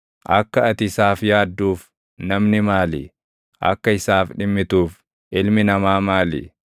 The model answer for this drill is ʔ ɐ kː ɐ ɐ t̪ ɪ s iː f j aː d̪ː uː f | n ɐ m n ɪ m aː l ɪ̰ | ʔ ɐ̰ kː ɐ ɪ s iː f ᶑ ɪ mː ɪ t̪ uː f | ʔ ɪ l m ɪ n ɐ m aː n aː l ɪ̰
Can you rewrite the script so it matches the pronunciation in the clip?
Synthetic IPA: ʔ ɐ kː ɐ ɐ t̪ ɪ s aː f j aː d̪ː uː f | n ɐ m n ɪ m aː l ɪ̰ | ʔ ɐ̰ kː ɐ ɪ s aː f ᶑ ɪ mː ɪ t̪ uː f | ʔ ɪ l m ɪ n ɐ m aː m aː l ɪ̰